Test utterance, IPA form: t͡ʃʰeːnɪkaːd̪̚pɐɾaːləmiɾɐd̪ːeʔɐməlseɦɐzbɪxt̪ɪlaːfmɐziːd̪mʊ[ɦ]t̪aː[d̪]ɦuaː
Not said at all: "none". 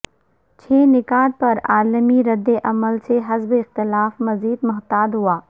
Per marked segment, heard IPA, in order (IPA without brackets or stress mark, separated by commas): ɦ, d̪